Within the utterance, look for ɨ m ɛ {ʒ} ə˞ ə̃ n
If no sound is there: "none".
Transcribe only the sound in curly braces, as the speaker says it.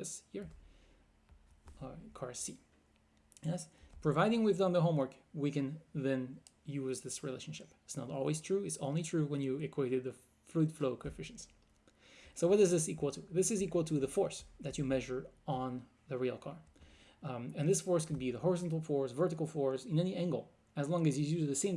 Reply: ʒ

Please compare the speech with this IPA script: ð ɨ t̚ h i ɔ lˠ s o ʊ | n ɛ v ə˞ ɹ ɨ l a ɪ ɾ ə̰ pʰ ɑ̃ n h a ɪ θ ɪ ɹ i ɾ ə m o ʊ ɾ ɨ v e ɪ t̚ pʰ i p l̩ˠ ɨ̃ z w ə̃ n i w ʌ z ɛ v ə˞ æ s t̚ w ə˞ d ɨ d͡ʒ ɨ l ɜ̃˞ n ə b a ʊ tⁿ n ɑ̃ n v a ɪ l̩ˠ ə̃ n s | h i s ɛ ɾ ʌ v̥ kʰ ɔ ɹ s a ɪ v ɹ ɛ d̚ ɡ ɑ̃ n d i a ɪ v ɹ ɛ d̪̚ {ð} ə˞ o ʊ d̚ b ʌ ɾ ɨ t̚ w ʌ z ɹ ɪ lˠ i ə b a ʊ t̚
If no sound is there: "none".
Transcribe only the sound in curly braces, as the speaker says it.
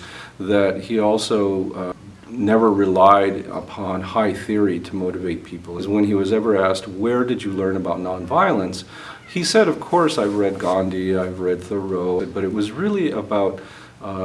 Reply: θ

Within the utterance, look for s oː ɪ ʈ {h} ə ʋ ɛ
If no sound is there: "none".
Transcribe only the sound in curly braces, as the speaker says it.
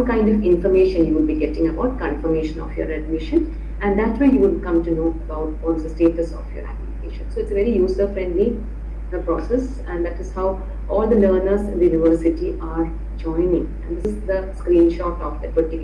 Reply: s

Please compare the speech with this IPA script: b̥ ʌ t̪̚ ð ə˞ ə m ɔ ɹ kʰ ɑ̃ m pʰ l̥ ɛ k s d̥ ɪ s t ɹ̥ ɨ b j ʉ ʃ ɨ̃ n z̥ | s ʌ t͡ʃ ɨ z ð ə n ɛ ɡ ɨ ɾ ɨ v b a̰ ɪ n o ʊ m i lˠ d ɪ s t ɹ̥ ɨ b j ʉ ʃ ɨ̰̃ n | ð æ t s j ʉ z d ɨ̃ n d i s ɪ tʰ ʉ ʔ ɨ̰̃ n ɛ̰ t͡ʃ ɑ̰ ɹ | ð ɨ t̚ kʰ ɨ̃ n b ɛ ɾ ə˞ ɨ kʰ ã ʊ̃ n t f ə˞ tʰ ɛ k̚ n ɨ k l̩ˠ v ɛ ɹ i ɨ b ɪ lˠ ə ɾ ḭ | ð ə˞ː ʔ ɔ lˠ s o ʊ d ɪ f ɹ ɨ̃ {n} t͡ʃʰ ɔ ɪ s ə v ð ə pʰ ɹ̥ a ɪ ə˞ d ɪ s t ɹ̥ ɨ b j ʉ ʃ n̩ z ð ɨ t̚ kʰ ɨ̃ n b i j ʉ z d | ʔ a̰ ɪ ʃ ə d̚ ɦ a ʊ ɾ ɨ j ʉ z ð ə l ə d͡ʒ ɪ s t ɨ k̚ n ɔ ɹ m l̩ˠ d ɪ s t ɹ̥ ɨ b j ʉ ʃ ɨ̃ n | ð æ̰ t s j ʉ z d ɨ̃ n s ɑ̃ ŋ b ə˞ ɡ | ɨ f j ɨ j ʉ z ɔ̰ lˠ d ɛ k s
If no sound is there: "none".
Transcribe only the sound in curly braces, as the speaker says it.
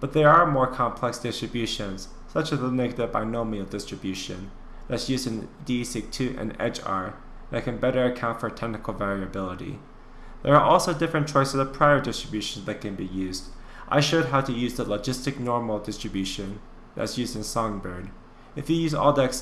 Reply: n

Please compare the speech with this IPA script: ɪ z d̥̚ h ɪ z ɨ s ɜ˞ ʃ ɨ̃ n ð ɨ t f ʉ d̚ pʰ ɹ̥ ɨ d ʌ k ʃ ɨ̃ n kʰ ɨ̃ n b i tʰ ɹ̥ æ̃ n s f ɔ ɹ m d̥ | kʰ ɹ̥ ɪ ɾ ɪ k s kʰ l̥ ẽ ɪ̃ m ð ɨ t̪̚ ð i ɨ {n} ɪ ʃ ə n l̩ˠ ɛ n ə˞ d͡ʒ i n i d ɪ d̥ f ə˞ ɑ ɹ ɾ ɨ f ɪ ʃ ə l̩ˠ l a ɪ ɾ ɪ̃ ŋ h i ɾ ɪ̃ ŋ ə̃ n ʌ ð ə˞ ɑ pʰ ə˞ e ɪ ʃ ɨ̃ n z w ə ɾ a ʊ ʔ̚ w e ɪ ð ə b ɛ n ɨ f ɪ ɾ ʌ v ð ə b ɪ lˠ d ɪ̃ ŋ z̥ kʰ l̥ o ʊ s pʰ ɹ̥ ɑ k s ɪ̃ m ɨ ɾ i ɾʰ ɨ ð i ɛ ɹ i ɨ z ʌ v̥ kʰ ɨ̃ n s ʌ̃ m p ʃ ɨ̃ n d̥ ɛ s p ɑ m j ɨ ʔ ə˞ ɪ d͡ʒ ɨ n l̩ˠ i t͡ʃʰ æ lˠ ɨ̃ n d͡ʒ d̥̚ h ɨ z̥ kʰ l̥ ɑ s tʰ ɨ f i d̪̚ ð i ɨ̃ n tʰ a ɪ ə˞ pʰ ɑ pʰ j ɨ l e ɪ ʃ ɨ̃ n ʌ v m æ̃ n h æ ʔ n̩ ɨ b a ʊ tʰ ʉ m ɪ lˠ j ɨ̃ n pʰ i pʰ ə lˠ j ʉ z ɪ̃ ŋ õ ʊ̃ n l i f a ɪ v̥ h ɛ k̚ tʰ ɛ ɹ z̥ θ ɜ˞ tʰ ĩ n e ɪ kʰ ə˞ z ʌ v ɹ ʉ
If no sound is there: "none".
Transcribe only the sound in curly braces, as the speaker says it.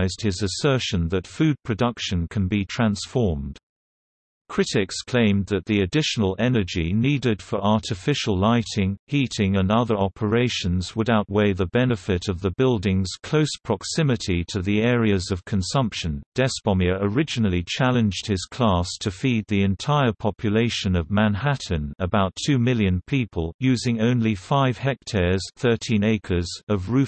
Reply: d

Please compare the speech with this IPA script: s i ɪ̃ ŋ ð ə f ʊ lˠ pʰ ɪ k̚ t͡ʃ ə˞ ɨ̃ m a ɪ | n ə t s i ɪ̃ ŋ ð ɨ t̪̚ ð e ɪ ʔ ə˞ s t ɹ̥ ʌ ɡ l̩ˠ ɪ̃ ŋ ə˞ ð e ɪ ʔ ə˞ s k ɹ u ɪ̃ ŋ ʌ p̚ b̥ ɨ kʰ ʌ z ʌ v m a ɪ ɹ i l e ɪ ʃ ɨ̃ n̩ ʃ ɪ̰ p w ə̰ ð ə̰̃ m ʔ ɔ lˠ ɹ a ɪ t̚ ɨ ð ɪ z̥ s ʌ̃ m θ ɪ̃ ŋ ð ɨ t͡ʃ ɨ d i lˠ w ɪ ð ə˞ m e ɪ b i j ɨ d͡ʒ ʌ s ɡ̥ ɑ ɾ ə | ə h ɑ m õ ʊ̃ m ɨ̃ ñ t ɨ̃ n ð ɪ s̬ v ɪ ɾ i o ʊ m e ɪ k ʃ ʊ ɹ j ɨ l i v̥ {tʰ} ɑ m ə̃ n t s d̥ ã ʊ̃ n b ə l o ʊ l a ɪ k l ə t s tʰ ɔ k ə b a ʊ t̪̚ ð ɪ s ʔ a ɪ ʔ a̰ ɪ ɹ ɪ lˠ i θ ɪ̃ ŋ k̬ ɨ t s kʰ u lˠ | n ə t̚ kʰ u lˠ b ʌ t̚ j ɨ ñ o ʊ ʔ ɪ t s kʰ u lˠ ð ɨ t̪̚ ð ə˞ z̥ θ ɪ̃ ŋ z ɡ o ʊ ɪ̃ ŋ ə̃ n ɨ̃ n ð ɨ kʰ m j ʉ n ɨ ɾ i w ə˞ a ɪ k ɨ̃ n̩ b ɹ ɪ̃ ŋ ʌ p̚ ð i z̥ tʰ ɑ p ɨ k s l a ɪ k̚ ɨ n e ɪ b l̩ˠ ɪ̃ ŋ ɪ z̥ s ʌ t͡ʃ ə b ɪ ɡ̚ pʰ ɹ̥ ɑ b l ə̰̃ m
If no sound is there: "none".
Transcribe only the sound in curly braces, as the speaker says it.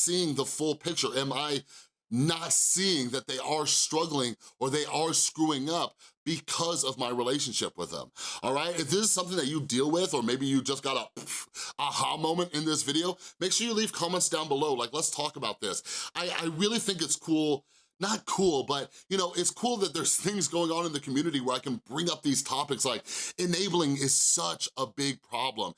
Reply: kʰ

